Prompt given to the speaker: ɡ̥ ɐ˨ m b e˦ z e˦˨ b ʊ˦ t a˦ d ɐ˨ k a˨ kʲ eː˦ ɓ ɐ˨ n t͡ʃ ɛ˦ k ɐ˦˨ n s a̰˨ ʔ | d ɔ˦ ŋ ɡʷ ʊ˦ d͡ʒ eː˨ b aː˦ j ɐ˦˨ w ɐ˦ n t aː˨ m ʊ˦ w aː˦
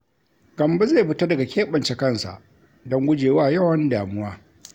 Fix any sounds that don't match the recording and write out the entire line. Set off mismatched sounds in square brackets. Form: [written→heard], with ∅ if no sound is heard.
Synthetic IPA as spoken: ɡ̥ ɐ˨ m b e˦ z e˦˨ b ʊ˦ t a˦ d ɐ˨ [k→ɡ] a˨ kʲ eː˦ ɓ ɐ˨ n t͡ʃ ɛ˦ k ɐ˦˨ n s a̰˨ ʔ | d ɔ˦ ŋ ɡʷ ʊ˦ d͡ʒ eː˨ [b→w] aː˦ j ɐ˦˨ w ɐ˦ n [t→d] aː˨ m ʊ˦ w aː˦

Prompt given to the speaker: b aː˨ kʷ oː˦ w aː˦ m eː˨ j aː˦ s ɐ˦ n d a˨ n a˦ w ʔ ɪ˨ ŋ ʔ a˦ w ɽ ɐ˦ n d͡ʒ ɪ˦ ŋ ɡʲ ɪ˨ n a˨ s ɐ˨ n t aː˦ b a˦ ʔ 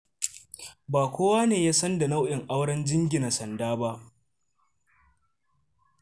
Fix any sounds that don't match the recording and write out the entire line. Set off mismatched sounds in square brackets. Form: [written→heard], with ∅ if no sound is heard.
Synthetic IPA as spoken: b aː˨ kʷ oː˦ w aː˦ [m→n] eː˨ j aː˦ s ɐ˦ n d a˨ n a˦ w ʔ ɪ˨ ŋ ʔ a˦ w ɽ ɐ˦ n d͡ʒ ɪ˦ ŋ ɡʲ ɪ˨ n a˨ s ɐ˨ n [t→d] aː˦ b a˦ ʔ

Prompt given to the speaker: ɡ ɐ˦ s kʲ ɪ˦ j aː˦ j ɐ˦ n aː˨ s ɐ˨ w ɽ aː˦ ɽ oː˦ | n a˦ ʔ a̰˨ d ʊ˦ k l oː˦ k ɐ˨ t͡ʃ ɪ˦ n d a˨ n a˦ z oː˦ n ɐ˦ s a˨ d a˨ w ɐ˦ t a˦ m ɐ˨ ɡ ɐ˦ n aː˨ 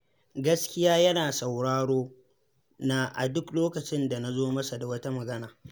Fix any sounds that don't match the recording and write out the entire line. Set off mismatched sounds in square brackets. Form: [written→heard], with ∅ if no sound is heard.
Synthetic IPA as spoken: ɡ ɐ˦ s kʲ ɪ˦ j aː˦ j ɐ˦ n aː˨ s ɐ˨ w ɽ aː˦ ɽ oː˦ | n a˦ ʔ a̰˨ d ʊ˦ k l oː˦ k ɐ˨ t͡ʃ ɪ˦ n d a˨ n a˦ z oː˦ [n→m] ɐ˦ s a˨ d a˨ w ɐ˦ t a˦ m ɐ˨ ɡ ɐ˦ n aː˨

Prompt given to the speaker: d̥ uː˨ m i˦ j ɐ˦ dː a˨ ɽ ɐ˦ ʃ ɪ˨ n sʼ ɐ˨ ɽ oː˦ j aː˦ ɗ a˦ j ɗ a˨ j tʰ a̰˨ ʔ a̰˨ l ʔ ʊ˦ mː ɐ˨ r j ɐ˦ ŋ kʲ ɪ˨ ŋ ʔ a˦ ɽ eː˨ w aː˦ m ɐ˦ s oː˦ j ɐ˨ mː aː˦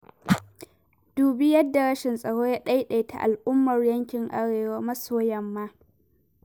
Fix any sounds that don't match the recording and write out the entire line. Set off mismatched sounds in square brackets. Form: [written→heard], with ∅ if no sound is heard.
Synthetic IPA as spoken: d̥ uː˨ [m→b] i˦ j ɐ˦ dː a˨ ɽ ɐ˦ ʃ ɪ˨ n sʼ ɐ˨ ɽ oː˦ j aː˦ ɗ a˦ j ɗ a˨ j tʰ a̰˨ ʔ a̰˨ l ʔ ʊ˦ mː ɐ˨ r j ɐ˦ ŋ kʲ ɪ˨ ŋ ʔ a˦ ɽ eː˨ w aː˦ m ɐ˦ s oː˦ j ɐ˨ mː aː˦

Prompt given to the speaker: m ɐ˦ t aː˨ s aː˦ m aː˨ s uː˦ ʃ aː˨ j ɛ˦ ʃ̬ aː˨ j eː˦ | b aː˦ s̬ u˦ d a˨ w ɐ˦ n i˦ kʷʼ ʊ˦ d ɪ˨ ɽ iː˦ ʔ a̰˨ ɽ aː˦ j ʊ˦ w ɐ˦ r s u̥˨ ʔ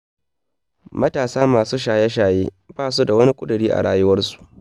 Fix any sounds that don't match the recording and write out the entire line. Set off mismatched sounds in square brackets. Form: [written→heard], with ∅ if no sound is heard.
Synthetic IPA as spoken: m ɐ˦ t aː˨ s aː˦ m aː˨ s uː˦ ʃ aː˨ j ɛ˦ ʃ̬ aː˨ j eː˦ | b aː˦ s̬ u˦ d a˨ w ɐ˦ n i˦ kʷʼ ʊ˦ d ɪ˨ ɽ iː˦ ʔ a̰˨ ɽ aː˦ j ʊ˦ w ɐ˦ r s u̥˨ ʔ

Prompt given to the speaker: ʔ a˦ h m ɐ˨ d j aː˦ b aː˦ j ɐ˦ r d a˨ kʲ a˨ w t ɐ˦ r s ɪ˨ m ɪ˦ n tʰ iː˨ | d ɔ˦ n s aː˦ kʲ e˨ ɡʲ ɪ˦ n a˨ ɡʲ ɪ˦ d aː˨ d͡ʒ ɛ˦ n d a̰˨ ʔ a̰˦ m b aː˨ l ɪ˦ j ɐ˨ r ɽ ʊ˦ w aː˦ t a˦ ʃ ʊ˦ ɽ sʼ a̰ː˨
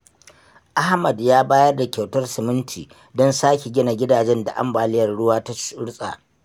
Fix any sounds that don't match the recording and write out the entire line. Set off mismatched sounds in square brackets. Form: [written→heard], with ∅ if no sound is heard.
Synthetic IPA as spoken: ʔ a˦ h m ɐ˨ d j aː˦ b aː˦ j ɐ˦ r d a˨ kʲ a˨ w t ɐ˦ r s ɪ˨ m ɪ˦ n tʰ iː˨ | d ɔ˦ n s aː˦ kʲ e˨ ɡʲ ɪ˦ n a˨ ɡʲ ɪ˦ d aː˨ d͡ʒ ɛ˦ n d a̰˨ ʔ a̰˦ m b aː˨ l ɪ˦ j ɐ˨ r ɽ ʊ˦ w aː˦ t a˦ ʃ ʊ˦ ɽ sʼ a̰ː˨

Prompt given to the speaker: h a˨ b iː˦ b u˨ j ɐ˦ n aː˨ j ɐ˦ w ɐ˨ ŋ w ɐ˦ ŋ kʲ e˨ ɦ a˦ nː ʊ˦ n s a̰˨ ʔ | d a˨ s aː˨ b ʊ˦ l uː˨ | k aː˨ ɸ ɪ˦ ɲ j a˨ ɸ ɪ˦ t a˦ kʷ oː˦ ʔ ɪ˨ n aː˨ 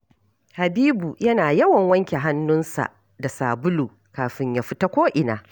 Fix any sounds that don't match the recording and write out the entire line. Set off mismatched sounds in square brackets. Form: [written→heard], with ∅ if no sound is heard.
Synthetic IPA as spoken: h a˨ b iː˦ b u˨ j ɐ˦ n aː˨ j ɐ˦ w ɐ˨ ŋ w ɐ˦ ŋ kʲ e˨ ɦ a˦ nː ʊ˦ n s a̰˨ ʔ | d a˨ s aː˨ b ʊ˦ l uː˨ | k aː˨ ɸ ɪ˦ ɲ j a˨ ɸ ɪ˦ t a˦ kʷ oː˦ ʔ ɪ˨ n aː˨

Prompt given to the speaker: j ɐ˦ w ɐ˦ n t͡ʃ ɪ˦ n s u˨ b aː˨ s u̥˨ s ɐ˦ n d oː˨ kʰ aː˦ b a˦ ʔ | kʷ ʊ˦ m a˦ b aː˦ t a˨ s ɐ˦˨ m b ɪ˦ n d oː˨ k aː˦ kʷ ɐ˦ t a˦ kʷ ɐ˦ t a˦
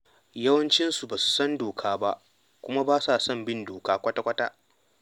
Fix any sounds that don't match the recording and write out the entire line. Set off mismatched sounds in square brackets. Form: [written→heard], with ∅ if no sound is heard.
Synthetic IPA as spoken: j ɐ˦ w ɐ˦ n t͡ʃ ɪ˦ n s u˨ b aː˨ s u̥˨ s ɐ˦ n d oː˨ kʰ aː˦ b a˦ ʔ | kʷ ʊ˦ m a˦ b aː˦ [t→s] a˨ s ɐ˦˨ m b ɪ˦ n d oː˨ k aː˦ kʷ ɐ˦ t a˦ kʷ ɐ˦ t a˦

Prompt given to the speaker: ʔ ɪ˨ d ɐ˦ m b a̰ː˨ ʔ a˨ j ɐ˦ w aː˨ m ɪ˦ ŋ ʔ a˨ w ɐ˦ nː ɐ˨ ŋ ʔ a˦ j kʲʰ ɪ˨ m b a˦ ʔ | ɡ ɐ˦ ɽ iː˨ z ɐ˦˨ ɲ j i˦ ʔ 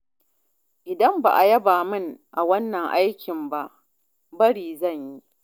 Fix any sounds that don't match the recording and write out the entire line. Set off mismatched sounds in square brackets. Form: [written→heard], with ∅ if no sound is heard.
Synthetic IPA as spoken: ʔ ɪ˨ d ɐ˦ m b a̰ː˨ ʔ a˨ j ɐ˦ [w→b] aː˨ m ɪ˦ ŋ ʔ a˨ w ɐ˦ nː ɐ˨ ŋ ʔ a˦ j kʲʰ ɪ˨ m b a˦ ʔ | [ɡ→b] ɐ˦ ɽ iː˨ z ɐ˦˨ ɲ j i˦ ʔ

